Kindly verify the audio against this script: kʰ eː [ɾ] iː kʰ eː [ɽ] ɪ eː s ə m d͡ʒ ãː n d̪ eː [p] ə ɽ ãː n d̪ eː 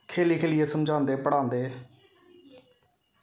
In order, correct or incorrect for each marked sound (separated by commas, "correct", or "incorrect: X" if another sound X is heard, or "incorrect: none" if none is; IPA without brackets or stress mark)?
incorrect: l, incorrect: l, correct